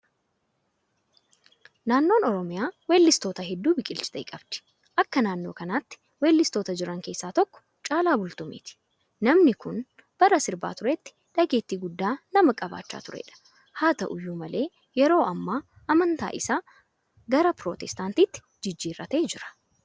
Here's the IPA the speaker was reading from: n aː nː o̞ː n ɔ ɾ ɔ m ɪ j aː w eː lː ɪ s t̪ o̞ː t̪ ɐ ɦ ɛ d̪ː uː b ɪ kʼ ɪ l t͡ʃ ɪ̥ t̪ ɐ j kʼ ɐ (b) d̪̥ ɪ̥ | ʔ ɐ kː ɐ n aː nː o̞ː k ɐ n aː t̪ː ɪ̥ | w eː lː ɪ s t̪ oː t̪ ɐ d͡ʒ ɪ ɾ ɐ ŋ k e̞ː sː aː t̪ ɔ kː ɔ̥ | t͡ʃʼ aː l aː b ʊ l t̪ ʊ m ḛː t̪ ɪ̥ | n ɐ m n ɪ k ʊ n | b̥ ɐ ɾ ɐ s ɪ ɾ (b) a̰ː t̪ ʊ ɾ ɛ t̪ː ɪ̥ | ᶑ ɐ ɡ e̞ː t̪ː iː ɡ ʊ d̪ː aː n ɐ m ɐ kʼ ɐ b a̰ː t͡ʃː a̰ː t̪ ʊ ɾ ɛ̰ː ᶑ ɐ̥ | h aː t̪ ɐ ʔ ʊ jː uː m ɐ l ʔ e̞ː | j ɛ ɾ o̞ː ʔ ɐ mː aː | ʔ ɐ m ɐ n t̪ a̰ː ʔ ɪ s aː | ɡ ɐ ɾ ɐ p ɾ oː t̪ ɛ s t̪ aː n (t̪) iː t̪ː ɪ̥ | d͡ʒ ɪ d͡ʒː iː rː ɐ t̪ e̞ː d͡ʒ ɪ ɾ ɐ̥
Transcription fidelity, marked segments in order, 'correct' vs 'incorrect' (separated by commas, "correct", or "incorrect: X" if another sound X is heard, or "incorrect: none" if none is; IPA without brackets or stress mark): correct, correct, correct